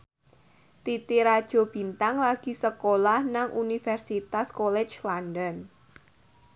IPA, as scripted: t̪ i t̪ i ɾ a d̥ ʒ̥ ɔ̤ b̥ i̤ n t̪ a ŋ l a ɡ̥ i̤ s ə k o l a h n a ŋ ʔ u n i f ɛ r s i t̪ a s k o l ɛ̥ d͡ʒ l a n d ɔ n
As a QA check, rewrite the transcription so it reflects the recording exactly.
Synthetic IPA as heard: t̪ i t̪ i ɾ a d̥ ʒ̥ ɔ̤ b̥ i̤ n t̪ a ŋ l a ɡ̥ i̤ s ə k o l a h n a ŋ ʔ u n i f ɛ r s i t̪ a s k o l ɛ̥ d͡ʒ l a n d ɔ n

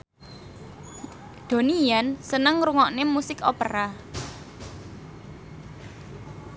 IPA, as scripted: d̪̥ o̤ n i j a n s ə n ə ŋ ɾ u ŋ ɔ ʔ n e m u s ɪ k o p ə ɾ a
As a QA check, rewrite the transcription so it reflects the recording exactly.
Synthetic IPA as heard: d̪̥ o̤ n i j a n s ə n ə ŋ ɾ u ŋ ɔ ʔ n e m u s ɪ k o p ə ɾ a

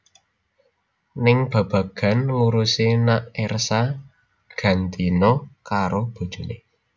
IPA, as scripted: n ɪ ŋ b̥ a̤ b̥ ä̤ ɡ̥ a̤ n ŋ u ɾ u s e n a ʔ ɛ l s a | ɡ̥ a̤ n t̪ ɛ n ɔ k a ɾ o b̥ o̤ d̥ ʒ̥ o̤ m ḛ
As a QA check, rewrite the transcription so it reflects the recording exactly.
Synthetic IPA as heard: n ɪ ŋ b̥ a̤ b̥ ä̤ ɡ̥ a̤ n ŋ u ɾ u s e n a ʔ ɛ r s a | ɡ̥ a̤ n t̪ i n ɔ k a ɾ o b̥ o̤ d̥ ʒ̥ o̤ n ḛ

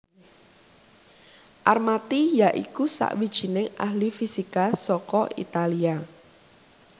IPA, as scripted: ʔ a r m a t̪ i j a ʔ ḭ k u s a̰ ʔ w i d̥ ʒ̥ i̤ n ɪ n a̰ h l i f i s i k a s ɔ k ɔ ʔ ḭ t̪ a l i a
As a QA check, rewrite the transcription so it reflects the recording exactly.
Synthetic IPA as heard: ʔ a r m a t̪ i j a ʔ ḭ k u s a̰ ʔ w i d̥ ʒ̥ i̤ n ɪ ŋ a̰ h l i f i s i k a s ɔ k ɔ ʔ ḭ t̪ a l i a

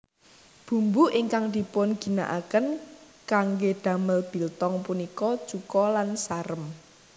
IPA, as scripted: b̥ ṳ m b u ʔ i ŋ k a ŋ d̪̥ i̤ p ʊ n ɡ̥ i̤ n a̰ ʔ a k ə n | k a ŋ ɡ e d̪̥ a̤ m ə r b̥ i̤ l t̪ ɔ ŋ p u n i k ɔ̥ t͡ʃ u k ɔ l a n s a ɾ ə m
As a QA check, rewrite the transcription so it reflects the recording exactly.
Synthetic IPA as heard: b̥ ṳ m b u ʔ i ŋ k a ŋ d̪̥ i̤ p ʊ n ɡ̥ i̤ n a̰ ʔ a k ə n | k a ŋ ɡ e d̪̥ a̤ m ə l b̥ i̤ l t̪ ɔ ŋ p u n i k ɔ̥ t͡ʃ u k ɔ l a n s a ɾ ə m

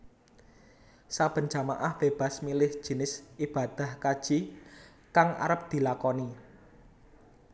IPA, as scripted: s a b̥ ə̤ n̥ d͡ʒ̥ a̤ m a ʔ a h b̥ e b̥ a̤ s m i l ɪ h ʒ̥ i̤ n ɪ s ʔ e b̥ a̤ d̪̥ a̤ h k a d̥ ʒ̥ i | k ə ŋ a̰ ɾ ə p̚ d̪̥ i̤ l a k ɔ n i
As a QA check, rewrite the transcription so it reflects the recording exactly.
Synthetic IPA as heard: s a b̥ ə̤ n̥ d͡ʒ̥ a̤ m a ʔ a h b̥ e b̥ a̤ s m i l ɪ h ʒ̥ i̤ n ɪ s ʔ i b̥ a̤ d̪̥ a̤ h k a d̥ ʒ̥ i | k a ŋ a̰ ɾ ə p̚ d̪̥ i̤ l a k ɔ n i

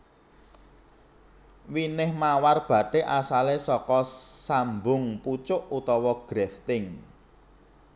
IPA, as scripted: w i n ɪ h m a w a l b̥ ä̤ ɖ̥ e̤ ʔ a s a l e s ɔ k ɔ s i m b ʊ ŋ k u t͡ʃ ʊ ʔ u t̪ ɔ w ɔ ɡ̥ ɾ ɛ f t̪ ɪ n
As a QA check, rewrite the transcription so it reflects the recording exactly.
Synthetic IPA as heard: w i n ɪ h m a w a r b̥ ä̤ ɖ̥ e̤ ʔ a s a l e s ɔ k ɔ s a m b ʊ ŋ p u t͡ʃ ʊ ʔ u t̪ ɔ w ɔ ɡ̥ ɾ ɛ f t̪ ɪ ŋ

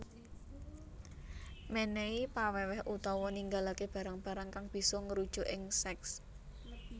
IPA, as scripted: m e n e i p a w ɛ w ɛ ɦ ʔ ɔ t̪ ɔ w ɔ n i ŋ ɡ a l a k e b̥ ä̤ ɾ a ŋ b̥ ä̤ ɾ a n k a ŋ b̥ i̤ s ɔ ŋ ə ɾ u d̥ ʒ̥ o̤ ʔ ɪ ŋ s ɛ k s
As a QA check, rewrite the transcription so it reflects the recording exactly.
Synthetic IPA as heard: m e n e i p a w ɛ w ɛ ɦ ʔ u t̪ ɔ w ɔ n i ŋ ɡ a l a k e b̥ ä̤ ɾ a ŋ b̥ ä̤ ɾ a ŋ k a ŋ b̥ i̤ s ɔ ŋ ə ɾ u d̥ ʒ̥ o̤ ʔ ɪ ŋ s ɛ k s

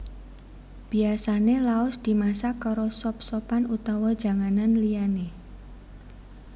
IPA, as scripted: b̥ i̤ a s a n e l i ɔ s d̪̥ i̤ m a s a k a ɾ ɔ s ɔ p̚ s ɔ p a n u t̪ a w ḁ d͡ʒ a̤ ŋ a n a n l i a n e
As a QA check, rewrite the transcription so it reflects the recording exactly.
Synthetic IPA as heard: b̥ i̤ a s a n e l a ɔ s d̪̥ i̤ m a s a k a ɾ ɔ s ɔ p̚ s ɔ p a n u t̪ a w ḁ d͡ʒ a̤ ŋ a n a n l i a n e

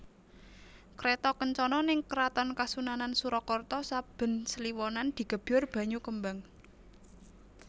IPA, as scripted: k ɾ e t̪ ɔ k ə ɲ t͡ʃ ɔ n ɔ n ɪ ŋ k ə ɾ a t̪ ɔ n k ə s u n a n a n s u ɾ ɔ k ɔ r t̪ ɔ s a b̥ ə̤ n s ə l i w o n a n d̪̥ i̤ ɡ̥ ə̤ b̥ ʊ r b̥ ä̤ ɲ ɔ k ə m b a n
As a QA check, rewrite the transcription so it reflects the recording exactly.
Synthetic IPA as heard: k ɾ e t̪ ɔ k ə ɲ t͡ʃ ɔ n ɔ n ɪ ŋ k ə ɾ a t̪ ɔ n k a s u n a n a n s u ɾ ɔ k ɔ r t̪ ɔ s a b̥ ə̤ n s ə l i w ɔ n a n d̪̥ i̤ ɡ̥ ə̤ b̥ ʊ r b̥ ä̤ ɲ u k ə m b a ŋ

